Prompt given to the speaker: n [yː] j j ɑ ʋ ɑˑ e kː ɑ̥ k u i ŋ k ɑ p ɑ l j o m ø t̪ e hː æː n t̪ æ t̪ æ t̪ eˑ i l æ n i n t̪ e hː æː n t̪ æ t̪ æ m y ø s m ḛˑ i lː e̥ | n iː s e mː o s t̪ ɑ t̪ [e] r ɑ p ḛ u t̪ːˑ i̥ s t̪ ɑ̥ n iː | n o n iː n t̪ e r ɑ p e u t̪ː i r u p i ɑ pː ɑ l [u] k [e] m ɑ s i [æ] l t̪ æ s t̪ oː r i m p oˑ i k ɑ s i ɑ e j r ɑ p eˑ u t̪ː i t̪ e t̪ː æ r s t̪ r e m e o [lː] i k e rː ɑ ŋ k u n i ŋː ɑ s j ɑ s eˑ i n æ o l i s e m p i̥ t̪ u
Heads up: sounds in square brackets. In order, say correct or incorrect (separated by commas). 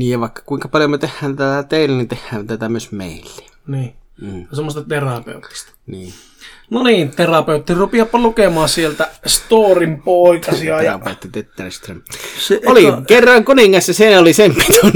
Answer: incorrect, correct, correct, correct, incorrect, incorrect